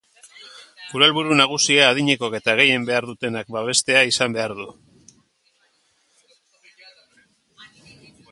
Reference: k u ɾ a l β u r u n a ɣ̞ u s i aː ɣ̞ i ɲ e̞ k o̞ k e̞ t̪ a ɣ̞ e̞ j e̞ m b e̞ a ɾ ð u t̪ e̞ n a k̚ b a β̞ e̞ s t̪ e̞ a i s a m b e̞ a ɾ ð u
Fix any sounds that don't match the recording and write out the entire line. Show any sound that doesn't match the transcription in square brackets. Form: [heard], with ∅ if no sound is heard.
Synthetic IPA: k u ɾ a l β u [ɾ] u n a ɣ̞ u s i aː [ð̞] i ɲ e̞ k o̞ k e̞ t̪ a ɣ̞ e̞ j e̞ m b e̞ a ɾ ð u t̪ e̞ n a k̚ b a β̞ e̞ s t̪ e̞ a i s a m b e̞ a ɾ ð u